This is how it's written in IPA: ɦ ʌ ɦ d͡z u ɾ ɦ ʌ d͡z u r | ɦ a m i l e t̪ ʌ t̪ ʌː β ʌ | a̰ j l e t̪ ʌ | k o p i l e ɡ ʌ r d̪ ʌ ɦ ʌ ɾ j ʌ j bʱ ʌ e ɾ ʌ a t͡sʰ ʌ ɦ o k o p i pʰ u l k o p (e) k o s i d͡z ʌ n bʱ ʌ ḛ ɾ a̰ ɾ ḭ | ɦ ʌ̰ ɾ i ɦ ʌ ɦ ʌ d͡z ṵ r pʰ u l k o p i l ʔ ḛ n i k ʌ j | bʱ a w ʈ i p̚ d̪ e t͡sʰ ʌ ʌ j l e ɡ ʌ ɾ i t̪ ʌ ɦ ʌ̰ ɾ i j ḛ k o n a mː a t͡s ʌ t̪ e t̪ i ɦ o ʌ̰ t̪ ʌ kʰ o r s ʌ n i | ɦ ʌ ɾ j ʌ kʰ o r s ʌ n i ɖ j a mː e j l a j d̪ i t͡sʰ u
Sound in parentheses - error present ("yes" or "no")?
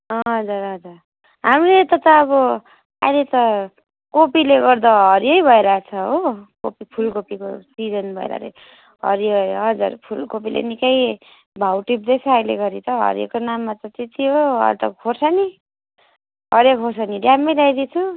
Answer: yes